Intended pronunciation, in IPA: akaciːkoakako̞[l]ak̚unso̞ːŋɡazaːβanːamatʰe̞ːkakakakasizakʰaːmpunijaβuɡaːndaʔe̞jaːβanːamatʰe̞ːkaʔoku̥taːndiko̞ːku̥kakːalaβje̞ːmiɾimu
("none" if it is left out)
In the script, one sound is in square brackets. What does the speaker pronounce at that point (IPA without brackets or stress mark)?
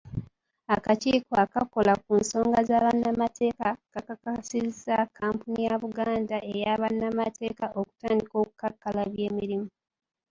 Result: l